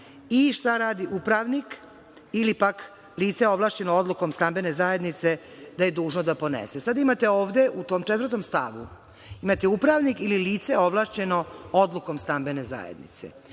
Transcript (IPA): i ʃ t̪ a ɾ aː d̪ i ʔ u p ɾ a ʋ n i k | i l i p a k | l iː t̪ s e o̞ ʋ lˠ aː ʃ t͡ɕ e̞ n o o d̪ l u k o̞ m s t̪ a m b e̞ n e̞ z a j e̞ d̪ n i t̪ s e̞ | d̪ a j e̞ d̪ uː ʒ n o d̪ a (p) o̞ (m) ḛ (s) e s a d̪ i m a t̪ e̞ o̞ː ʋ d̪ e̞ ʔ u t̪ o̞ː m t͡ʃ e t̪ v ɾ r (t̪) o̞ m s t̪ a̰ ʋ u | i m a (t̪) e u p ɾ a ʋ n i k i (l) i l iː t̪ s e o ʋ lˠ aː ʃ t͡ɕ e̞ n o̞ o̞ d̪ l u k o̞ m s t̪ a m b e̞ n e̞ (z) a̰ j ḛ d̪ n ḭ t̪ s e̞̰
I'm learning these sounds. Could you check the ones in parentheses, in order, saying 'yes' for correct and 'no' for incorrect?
yes, no, yes, yes, yes, yes, yes

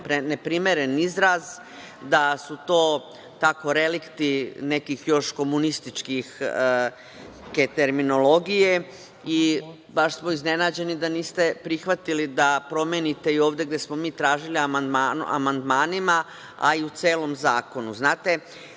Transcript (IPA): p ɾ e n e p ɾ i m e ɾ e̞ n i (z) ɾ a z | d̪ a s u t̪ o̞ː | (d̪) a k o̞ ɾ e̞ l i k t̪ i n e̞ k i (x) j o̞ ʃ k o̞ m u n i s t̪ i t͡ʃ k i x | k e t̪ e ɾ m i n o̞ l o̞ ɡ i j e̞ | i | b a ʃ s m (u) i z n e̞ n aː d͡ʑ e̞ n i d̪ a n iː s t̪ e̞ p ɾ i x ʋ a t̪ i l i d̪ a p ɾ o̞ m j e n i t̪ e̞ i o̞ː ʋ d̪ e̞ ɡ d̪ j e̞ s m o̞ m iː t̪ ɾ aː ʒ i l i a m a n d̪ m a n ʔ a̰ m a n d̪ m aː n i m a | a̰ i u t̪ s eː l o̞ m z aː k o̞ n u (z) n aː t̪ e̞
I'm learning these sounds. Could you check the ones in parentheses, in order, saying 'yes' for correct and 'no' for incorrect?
yes, no, yes, no, yes

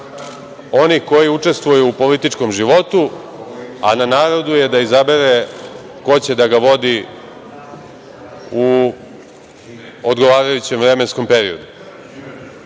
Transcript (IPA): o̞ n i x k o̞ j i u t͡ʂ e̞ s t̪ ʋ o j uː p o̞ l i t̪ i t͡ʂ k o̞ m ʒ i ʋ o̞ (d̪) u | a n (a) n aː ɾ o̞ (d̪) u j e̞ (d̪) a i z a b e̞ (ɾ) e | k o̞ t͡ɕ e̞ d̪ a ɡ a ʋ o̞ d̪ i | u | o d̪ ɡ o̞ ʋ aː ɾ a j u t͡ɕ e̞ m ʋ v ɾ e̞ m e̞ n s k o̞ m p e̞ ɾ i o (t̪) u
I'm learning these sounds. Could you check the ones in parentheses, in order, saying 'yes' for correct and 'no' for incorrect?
no, yes, yes, yes, yes, no

